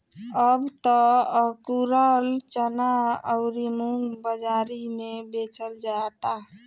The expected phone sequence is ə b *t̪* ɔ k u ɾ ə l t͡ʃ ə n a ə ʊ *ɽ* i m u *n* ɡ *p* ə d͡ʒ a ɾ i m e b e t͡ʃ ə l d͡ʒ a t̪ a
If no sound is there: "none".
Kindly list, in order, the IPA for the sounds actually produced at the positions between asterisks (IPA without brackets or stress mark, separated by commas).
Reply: t̪, ɾ, ŋ, b